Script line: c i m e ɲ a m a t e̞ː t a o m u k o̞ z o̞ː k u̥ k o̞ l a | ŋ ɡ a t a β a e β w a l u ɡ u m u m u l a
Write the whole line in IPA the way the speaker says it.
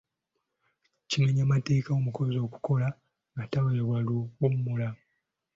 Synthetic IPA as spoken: c i m e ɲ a m a t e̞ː k a o m u k o̞ z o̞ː k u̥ k o̞ l a | ŋ ɡ a t a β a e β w a l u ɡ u m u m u l a

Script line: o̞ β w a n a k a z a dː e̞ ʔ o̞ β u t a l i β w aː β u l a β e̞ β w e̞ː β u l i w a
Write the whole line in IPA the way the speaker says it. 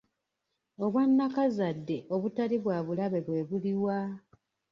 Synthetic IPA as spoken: o̞ β w a nː a k a z a dː e̞ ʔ o̞ β u t a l i β w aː β u l a β e̞ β w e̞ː β u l i w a

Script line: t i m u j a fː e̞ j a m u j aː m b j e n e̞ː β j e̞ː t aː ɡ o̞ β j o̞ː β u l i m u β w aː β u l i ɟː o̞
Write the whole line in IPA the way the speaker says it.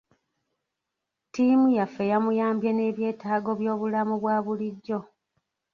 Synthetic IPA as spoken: t i m u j a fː e̞ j a m u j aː m b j e n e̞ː β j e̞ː t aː ɡ o̞ β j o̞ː β u l a m u β w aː β u l i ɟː o̞

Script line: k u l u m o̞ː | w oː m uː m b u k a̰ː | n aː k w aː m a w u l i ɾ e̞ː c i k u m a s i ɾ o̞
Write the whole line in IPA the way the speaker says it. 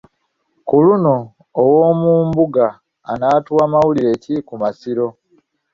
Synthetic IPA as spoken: k u l u n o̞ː | w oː m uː m b u ɡ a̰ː | n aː t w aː m a w u l i ɾ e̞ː c i k u m a s i ɾ o̞

